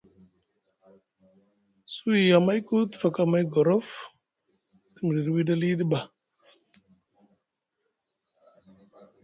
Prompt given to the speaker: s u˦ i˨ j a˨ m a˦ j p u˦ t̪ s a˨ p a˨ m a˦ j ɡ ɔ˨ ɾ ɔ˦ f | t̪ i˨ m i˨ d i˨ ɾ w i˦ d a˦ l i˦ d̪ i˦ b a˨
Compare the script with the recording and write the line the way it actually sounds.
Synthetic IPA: s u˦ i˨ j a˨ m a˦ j k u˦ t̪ f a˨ k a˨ m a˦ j ɡ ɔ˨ ɾ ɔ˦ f | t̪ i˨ m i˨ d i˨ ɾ w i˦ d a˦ l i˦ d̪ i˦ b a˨

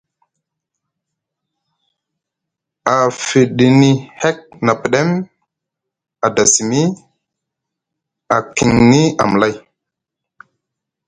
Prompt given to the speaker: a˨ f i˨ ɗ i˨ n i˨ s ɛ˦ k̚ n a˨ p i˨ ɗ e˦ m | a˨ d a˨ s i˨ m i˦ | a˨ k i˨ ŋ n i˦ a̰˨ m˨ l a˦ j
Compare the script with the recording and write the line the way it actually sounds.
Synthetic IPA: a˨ f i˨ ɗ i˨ n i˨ h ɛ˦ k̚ n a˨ p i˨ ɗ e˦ m | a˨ d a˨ s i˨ m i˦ | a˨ k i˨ ŋ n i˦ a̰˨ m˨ l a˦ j

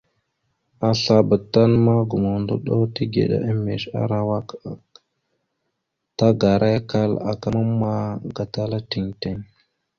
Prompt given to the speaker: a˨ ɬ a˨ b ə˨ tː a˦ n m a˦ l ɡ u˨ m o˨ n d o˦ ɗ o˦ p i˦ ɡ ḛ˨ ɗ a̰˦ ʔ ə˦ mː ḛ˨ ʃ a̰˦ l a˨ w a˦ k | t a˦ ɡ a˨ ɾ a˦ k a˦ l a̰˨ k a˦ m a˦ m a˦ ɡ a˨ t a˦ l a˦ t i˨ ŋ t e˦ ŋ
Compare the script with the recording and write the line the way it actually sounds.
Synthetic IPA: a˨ ɬ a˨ b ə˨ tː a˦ n m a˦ ɡ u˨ m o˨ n d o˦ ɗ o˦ t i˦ ɡ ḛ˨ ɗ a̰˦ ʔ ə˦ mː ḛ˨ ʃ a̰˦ ɾ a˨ w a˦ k | t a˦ ɡ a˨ ɾ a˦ k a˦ l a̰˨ k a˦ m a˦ m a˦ ɡ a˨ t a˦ l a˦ t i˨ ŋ t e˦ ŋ

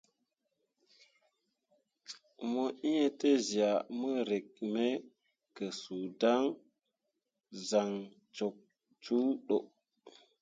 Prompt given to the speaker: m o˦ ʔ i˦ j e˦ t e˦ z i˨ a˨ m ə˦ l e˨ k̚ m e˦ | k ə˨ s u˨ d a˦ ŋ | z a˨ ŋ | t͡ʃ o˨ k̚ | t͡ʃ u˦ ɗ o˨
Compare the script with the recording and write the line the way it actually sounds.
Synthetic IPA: m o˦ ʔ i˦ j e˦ t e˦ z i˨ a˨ m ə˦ ɾ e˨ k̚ m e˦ | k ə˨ s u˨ d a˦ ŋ | z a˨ ŋ | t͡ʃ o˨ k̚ | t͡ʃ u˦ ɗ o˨

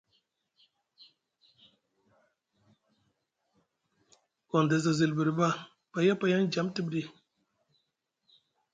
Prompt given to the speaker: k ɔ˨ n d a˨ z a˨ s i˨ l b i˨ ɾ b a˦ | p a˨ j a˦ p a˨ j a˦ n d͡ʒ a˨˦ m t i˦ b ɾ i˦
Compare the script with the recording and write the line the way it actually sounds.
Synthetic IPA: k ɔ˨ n d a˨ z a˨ z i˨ l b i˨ ɾ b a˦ | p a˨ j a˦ p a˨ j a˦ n d͡ʒ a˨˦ m t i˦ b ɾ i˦

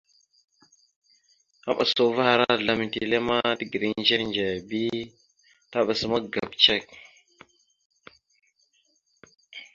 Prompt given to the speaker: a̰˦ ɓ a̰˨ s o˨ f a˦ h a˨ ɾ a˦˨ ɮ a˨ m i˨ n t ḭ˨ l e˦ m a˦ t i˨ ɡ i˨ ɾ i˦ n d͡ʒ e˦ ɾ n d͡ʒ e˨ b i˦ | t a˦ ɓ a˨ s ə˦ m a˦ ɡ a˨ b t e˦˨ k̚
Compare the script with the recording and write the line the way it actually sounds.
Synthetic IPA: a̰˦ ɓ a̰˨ s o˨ v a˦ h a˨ ɾ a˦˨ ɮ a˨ m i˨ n t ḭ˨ l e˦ m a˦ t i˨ ɡ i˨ ɾ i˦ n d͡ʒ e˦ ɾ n d͡ʒ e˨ b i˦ | t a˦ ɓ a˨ s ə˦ m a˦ ɡ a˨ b t͡ʃ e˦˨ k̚

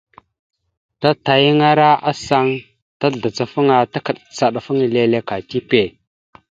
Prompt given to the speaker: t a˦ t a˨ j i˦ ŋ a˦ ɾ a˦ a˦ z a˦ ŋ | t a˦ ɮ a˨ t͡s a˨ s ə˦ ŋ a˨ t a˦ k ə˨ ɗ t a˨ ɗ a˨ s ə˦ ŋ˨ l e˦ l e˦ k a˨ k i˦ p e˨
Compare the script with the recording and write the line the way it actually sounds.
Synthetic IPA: t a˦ t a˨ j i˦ ŋ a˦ ɾ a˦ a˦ s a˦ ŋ | t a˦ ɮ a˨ t͡s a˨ f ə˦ ŋ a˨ t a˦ k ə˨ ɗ t͡s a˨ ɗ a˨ f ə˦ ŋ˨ l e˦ l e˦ k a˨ t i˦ p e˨

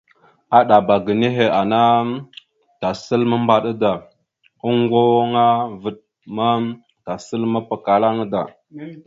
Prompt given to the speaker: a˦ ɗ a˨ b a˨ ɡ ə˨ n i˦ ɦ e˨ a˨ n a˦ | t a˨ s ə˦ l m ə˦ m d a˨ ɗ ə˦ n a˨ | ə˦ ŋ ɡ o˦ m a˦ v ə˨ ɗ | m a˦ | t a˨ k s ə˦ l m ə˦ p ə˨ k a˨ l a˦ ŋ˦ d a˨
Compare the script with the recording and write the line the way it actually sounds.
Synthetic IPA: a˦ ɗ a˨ b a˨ ɡ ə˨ n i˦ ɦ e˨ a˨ n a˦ | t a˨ s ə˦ l m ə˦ m b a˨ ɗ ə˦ d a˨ | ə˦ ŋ ɡ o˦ ŋ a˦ v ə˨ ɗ | m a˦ | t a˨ s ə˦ l m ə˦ p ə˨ k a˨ l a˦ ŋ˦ d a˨

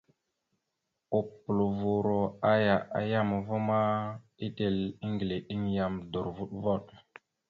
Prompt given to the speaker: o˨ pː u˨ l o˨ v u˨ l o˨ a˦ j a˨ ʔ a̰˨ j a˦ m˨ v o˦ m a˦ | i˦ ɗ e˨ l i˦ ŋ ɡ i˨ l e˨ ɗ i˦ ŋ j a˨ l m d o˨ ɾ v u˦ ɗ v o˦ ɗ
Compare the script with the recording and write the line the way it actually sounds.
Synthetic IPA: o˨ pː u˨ l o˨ v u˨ ɾ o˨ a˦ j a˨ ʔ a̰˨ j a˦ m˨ v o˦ m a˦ | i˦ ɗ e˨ l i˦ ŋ ɡ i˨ l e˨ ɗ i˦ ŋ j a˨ m d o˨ ɾ v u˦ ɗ v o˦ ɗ

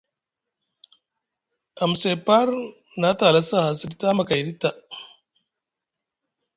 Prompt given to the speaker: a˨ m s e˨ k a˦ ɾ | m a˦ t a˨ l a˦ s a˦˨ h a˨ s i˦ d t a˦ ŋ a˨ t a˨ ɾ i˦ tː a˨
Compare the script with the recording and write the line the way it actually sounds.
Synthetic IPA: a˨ m s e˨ p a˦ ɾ | n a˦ t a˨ l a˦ s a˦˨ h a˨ s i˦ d t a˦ m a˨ k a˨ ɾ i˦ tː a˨

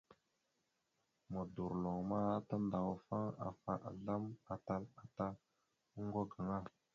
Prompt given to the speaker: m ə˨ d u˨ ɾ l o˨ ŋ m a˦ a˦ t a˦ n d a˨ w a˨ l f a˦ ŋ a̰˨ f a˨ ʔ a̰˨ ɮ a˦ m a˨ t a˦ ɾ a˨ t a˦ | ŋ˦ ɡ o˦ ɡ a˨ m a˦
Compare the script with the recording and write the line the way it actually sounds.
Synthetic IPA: m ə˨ d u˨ ɾ l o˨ ŋ m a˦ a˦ t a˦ n d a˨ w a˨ f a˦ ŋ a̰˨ f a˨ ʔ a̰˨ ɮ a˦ m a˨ t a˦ l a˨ t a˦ | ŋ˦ ɡ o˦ ɡ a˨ ŋ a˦

